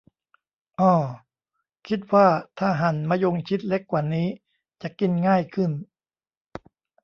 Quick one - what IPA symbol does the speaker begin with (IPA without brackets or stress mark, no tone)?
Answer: ʔ